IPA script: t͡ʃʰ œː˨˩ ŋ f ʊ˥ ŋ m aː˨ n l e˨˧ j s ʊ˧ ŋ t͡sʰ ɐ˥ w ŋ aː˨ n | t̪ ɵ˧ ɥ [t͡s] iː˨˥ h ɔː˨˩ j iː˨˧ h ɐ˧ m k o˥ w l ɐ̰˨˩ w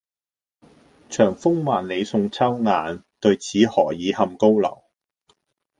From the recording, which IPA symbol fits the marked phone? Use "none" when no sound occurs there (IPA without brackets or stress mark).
t͡sʰ